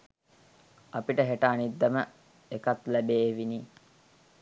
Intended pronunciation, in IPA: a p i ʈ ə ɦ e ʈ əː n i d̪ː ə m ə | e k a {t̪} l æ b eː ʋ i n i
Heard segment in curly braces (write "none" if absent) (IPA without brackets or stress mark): t̪